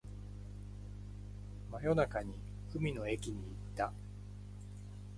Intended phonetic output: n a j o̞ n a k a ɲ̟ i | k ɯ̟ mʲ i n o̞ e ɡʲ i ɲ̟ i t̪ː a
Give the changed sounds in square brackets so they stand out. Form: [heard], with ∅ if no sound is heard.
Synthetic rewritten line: [m] a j o̞ n a k a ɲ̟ i | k ɯ̟ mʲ i n o̞ e [kʲ] i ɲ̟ [iː] t̪ː a

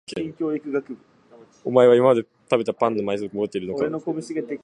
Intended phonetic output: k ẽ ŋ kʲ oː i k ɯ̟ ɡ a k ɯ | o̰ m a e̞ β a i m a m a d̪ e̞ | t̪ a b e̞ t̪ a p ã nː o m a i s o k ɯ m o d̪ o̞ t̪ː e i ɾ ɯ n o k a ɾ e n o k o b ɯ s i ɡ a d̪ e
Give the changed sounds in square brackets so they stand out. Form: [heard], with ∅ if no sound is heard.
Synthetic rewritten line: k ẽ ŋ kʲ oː i k ɯ̟ ɡ a k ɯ | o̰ m a e̞ β a i m a m a d̪ e̞ | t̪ a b e̞ t̪ a p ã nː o m a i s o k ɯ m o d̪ o̞ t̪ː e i ɾ ɯ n o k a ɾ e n o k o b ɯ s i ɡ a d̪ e

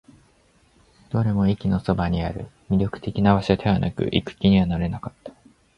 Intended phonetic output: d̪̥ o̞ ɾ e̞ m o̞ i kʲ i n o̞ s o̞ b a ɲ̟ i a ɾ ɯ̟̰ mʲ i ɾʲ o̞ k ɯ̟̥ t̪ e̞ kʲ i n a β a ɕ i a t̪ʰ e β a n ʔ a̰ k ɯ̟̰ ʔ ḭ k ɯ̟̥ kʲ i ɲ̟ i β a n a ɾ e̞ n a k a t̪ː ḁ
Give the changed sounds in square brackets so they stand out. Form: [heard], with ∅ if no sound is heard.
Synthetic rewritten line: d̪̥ o̞ ɾ e̞ m o̞ i kʲ i n o̞ s o̞ b a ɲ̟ i a ɾ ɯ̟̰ mʲ i ɾʲ o̞ k ɯ̟̥ t̪ e̞ kʲ i n a β a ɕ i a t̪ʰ e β a n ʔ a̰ k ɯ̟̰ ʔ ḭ k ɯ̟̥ kʲ i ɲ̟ i β a n a ɾ e̞ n a k a t̪ː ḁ

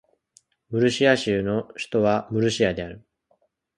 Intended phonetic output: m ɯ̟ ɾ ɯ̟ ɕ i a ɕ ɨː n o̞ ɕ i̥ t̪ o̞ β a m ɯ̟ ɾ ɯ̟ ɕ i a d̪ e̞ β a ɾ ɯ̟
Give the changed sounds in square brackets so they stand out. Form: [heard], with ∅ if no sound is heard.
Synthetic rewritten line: m ɯ̟ ɾ ɯ̟ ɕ i a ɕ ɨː n o̞ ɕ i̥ t̪ o̞ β a m ɯ̟ ɾ ɯ̟ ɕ i a d̪ e̞ [∅] a ɾ ɯ̟

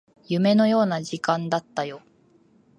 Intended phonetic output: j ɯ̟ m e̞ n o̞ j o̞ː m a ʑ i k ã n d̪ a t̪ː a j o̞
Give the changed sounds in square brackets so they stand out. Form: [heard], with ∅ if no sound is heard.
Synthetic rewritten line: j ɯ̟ m e̞ n o̞ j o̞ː [n] a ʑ i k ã n d̪ a t̪ː a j o̞

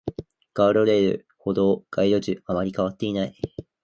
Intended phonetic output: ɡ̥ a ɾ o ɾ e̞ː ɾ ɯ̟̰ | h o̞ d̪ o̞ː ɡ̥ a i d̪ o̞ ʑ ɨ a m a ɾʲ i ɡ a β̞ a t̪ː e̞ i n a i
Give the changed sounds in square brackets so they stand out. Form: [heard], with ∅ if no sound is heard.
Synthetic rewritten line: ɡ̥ a ɾ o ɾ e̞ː ɾ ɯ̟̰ | h o̞ d̪ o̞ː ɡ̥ a i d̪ o̞ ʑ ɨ a m a ɾʲ i [k] a β̞ a t̪ː e̞ i n a i

